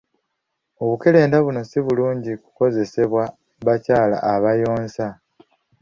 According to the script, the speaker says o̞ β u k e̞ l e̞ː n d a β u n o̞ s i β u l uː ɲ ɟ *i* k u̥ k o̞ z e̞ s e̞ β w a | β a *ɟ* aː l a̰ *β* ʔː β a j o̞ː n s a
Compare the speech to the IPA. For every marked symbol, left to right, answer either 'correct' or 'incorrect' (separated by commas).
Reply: correct, incorrect, incorrect